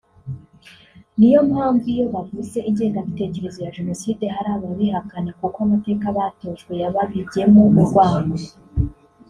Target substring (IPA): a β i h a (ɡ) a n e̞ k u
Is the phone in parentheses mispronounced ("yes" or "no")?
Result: yes